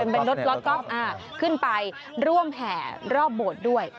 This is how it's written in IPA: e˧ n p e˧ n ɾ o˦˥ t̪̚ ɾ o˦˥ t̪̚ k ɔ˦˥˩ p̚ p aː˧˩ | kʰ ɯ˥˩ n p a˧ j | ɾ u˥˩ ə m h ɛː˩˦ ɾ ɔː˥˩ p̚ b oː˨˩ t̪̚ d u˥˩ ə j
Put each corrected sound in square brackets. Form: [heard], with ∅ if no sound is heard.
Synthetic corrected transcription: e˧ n p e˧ n ɾ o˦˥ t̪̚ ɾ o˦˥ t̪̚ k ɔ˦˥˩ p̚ [ʔ] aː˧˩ | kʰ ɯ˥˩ n p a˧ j | ɾ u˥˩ ə m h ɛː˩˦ ɾ ɔː˥˩ p̚ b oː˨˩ t̪̚ d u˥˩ ə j